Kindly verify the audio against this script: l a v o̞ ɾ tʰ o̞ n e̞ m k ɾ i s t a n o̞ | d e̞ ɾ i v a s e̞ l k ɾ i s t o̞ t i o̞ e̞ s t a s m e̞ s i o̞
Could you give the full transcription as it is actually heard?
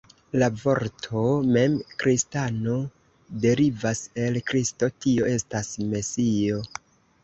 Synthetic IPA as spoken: l a v o̞ ɾ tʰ o̞ m e̞ m k ɾ i s t a n o̞ | d e̞ ɾ i v a s e̞ l k ɾ i s t o̞ t i o̞ e̞ s t a s m e̞ s i o̞